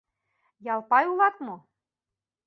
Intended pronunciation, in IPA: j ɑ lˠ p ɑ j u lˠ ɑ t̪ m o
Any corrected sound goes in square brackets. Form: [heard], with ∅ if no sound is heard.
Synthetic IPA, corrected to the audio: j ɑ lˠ p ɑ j u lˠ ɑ t̪ m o